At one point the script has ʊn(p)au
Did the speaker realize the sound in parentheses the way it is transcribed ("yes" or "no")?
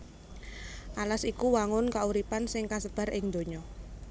no